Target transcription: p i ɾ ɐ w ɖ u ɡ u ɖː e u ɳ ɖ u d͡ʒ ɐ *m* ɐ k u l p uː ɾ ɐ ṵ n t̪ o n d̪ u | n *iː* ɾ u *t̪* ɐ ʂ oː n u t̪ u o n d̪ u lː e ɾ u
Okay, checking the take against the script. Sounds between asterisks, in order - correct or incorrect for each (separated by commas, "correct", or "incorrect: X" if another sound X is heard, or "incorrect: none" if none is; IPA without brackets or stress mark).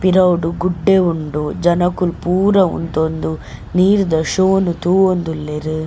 incorrect: n, correct, incorrect: d̪